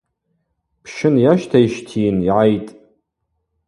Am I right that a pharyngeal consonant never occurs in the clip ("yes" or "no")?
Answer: no